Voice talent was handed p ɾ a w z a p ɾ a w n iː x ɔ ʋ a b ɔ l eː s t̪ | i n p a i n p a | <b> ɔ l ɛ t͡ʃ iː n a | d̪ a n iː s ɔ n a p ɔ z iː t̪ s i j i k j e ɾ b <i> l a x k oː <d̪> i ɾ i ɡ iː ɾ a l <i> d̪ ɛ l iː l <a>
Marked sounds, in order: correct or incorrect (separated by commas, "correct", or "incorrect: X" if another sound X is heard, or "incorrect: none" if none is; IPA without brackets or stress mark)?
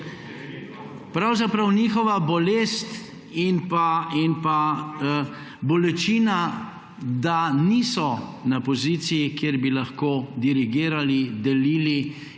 correct, correct, correct, correct, incorrect: i